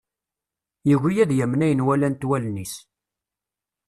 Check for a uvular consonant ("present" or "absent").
absent